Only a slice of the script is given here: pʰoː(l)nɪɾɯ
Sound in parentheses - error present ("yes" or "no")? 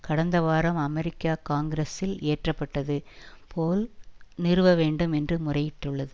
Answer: no